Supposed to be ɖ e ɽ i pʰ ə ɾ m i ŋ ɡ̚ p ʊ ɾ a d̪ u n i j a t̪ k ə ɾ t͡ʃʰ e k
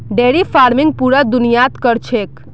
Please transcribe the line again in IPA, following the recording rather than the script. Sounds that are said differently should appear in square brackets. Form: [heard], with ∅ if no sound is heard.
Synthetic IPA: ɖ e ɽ i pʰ [a] ɾ m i ŋ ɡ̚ p [u] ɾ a d̪ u n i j a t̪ k ə ɾ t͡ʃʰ e k